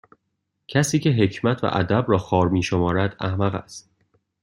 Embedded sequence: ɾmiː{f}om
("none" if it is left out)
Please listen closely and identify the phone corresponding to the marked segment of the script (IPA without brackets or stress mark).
ʃ